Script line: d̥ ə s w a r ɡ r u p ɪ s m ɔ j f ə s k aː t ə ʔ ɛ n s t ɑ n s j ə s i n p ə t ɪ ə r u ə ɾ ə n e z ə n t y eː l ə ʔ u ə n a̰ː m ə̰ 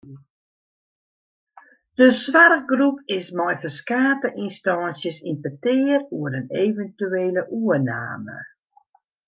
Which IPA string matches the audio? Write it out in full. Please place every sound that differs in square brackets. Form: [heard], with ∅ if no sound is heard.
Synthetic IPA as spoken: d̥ ə s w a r ɡ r u p ɪ s m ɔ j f ə s k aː t ə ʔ [i] n s t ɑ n s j ə s i n p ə t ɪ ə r u ə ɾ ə n e [v] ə n t y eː l ə ʔ u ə n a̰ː m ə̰